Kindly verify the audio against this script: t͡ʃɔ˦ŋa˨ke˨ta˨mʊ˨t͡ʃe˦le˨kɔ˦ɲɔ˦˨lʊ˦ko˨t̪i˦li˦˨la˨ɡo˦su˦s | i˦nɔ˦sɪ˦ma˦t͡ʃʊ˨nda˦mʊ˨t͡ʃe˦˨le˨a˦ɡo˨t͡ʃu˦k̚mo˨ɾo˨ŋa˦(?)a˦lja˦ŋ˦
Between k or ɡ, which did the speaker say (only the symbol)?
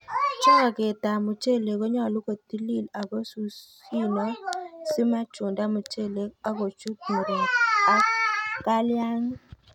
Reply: k